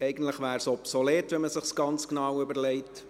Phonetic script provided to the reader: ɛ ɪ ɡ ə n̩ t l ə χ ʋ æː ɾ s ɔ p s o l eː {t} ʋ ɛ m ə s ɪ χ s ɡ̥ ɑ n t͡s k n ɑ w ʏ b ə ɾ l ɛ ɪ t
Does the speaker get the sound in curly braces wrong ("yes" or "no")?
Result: no